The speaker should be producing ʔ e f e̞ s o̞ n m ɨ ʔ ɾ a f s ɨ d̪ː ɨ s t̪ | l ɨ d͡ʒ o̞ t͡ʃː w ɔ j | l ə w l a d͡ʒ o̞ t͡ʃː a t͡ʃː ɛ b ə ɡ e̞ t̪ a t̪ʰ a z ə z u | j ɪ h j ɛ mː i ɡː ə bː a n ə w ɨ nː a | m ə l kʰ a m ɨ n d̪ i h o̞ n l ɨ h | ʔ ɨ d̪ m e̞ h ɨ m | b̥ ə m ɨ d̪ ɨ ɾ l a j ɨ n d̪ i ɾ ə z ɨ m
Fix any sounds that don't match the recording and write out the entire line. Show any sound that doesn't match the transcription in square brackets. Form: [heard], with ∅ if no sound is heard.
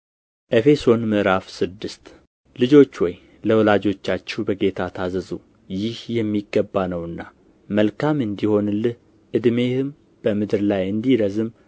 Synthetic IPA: ʔ e f e̞ s o̞ n m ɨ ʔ ɾ a f s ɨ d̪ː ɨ s t̪ | l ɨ d͡ʒ o̞ t͡ʃː w ɔ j | l ə w l a d͡ʒ o̞ t͡ʃː a t͡ʃː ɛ b ə ɡ e̞ [t̪ʰ] a t̪ʰ a z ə z u | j ɪ h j ɛ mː i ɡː ə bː a n ə w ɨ nː a | m ə l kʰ a m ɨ n d̪ i h o̞ n l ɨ h | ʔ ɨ d̪ m e̞ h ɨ m | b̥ ə m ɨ d̪ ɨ ɾ l a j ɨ n d̪ i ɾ ə z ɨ m

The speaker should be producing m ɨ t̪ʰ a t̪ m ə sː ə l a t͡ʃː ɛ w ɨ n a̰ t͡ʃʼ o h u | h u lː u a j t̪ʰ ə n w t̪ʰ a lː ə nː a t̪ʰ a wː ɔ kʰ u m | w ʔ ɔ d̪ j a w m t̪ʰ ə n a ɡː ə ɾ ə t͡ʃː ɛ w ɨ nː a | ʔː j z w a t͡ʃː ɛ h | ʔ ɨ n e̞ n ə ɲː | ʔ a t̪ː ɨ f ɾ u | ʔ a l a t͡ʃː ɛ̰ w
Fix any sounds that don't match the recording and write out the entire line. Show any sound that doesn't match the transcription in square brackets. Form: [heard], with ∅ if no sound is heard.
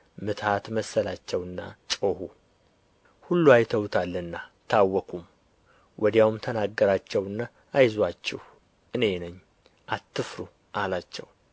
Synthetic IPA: m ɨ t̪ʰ a t̪ m ə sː ə l a t͡ʃː ɛ w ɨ [nː] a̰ t͡ʃʼ o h u | h u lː u a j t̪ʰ ə [∅] w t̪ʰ a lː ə nː a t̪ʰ a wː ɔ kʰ u m | w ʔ ɔ d̪ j a w m t̪ʰ ə n a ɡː ə ɾ [a] t͡ʃː ɛ w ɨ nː a | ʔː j z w a t͡ʃː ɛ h | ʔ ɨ n e̞ n ə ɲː | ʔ a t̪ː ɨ f ɾ u | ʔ a l a t͡ʃː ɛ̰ w

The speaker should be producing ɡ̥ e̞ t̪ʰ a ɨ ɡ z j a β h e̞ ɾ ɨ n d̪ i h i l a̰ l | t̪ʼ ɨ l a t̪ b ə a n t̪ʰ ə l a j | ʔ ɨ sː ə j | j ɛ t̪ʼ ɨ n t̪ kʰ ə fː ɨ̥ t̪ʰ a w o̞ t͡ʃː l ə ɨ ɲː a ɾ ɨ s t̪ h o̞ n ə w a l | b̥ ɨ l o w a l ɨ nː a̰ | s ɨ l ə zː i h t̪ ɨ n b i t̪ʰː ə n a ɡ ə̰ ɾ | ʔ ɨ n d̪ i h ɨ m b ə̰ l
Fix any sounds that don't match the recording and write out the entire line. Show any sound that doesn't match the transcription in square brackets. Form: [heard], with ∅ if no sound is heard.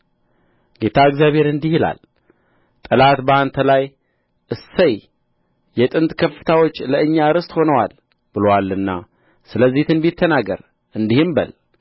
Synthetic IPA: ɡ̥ e̞ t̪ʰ a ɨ ɡ z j a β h e̞ ɾ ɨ n d̪ i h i l a̰ l | t̪ʼ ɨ l a t̪ b ə a n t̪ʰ ə l a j | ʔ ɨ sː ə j | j ɛ t̪ʼ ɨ n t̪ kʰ ə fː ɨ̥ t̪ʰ a w o̞ t͡ʃː l ə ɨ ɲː a ɾ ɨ s t̪ h o̞ n ə w a l | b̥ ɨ l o w a l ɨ nː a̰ | s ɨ l ə zː i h t̪ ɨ n b i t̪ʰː ə n a ɡ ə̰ ɾ | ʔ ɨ n d̪ i h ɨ m b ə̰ l

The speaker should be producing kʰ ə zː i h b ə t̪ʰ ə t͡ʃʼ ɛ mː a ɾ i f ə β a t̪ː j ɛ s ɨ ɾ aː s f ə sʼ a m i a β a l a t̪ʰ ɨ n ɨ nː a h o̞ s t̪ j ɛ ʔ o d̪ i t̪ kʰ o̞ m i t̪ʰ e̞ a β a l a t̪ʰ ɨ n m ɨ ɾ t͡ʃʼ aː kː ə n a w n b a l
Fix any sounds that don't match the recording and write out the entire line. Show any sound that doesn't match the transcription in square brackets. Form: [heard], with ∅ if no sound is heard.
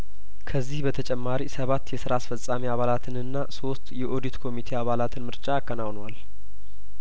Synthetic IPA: kʰ ə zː i h b ə t̪ʰ ə t͡ʃʼ ɛ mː a ɾ i [s] ə β a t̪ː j ɛ s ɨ ɾ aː s f ə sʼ a m i a β a l a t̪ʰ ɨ n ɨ nː a [s] o̞ s t̪ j ɛ ʔ o d̪ i t̪ kʰ o̞ m i t̪ʰ e̞ a β a l a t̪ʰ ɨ n m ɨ ɾ t͡ʃʼ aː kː ə n a w n [w] a l

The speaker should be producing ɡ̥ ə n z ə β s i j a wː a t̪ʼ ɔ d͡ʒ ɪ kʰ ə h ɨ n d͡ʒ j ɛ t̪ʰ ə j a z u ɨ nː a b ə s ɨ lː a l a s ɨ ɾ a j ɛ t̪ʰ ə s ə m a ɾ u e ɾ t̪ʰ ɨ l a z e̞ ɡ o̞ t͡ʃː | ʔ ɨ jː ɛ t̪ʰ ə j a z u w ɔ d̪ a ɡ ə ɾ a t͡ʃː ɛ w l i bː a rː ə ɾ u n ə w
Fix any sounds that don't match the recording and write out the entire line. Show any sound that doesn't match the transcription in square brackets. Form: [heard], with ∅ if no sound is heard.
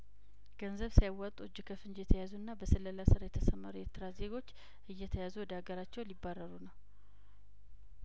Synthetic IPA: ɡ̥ ə n z ə β s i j a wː a t̪ʼ [u] d͡ʒ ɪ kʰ ə [f] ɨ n d͡ʒ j ɛ t̪ʰ ə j a z u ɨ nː a b ə s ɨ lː [ə] l a s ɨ ɾ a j ɛ t̪ʰ ə s ə m a ɾ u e ɾ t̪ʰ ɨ [ɾ] a z e̞ ɡ o̞ t͡ʃː | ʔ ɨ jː ɛ t̪ʰ ə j a z u w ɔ d̪ a ɡ ə ɾ a t͡ʃː ɛ w l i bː a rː ə ɾ u n ə w

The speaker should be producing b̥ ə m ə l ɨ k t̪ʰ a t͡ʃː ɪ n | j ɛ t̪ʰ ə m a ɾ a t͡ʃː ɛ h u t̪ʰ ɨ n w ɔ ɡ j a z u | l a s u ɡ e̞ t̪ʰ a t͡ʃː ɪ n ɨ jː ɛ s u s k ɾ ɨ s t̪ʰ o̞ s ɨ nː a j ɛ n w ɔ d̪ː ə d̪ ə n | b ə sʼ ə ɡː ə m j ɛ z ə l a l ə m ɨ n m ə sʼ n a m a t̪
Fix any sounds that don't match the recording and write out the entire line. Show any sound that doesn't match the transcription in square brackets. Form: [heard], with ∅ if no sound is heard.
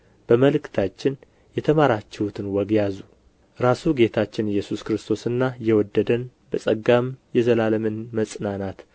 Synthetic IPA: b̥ ə m ə l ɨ k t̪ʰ a t͡ʃː ɪ n | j ɛ t̪ʰ ə m a ɾ a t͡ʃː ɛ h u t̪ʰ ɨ n w ɔ ɡ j a z u | [ɾ] a s u ɡ e̞ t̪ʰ a t͡ʃː ɪ n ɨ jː ɛ s u s k ɾ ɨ s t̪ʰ o̞ s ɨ nː a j ɛ [∅] w ɔ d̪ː ə d̪ ə n | b ə sʼ ə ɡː [a] m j ɛ z ə l a l ə m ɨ n m ə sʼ n a [n] a t̪

